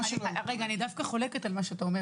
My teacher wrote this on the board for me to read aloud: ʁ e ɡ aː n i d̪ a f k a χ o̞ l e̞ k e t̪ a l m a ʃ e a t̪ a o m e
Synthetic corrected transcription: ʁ e ɡ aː n i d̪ a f k a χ o̞ l e̞ k e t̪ a l m a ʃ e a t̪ a o m e